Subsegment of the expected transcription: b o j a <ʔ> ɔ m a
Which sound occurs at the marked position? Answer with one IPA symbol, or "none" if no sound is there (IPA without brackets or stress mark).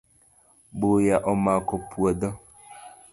ʔ